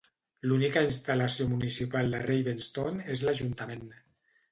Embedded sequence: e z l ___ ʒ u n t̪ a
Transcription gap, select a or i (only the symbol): a